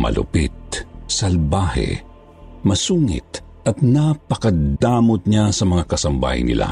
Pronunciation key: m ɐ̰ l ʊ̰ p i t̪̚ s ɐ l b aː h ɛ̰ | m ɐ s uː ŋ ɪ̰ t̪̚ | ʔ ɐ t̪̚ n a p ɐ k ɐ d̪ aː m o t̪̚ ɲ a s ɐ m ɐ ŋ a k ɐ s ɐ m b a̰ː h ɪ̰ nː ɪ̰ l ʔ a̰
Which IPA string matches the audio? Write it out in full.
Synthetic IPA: m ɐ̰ l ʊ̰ p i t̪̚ s ɐ l b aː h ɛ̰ | m ɐ s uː ŋ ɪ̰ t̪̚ | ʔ ɐ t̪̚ n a p ɐ k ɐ d̪ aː m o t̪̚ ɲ a s ɐ m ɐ ŋ a k ɐ s ɐ m b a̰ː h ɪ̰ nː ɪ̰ l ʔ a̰